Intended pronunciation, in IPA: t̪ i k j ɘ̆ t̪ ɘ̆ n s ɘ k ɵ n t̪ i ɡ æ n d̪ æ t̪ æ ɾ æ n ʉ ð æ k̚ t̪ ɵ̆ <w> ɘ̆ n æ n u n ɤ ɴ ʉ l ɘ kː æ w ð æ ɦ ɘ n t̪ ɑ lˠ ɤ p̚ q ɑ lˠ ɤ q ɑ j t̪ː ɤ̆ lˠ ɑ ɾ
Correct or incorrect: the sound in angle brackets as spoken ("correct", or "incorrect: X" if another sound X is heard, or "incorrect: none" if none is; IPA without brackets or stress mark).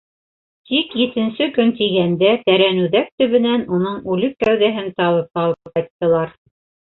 incorrect: β